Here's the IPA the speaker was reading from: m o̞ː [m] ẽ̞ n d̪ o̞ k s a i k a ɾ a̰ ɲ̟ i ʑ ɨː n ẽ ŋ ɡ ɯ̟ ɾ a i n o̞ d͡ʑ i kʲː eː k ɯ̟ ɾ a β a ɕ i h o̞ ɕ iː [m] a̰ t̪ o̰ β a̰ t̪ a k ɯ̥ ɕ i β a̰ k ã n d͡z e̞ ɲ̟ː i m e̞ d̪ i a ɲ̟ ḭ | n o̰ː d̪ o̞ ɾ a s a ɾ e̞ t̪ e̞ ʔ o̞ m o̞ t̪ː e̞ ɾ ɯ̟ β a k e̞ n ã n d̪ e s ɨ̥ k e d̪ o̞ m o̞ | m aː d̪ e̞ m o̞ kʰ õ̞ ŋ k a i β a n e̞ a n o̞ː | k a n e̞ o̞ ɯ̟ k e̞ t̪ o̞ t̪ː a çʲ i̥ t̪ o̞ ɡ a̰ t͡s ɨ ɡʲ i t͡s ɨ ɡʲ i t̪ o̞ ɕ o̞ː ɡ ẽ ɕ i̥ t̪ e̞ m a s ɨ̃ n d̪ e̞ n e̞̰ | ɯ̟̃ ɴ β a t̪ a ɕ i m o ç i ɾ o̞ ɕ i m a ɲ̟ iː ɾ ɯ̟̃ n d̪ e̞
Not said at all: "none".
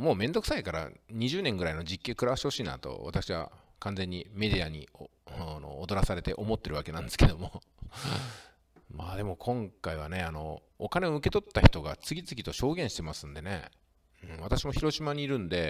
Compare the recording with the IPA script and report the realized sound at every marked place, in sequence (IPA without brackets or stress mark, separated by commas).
m, n